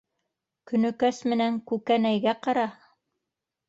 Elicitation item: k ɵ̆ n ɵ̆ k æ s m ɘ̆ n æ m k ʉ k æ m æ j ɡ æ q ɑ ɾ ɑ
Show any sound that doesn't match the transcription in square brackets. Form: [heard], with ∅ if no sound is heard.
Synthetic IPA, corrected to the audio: k ɵ̆ n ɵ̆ k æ s m ɘ̆ n æ [ŋ] k ʉ k æ [n] æ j ɡ æ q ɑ ɾ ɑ